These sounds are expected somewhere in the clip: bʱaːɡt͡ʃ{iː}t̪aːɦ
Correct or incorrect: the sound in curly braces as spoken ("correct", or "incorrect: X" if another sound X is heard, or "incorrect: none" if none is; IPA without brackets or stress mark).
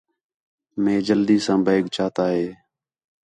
incorrect: aː